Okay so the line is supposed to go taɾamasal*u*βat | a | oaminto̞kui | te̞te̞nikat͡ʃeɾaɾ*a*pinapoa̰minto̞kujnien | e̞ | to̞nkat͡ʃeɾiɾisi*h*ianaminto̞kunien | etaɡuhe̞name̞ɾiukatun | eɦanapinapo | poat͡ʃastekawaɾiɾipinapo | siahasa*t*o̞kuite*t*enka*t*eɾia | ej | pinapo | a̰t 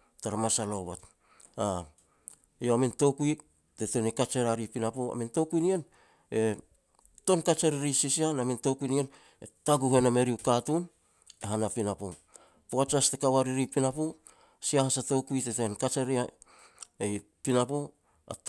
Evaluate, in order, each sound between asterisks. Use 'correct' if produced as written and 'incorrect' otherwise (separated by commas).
incorrect, incorrect, incorrect, correct, correct, incorrect